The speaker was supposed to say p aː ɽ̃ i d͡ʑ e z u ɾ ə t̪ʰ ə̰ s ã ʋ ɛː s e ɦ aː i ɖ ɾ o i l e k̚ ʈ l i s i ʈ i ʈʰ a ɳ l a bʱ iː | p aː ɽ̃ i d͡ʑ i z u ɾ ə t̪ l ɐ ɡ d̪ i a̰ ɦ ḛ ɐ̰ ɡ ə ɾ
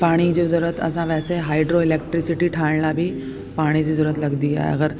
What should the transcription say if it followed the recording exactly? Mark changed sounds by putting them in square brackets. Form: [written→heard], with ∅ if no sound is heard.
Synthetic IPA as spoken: p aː ɽ̃ i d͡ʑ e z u ɾ ə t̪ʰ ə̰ s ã ʋ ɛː s e ɦ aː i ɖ ɾ o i l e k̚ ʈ [l→ɾ] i s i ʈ i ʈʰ a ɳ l a bʱ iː | p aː ɽ̃ i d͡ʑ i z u ɾ ə t̪ l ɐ ɡ d̪ i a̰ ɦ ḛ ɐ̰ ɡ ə ɾ